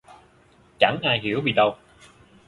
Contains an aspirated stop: no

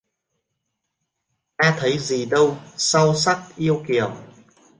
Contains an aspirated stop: yes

